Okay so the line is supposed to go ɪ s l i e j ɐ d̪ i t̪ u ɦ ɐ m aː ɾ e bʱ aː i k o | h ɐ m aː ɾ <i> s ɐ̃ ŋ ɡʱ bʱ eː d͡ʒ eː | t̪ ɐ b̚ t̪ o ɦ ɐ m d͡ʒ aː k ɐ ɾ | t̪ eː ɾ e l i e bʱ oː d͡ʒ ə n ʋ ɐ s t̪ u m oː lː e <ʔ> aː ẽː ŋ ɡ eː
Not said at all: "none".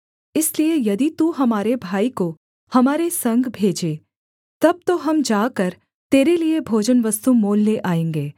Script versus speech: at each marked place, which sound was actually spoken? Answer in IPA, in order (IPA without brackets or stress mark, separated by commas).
e, ʔ